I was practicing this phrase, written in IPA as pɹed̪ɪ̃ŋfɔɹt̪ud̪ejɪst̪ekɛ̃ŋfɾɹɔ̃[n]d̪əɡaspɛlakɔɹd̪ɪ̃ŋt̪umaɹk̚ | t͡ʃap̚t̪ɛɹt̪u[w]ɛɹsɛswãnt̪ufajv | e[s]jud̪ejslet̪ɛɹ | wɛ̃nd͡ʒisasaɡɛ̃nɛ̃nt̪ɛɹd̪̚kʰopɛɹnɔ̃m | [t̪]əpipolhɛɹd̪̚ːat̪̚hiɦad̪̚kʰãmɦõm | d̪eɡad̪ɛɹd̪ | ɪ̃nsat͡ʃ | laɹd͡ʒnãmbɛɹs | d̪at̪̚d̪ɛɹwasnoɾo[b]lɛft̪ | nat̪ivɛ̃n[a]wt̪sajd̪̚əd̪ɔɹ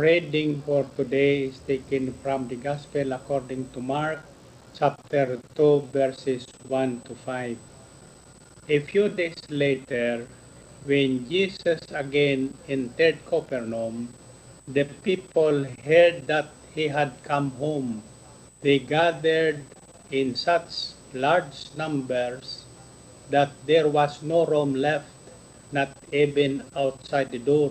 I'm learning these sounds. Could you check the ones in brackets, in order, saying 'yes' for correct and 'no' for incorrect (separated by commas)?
no, no, no, no, no, yes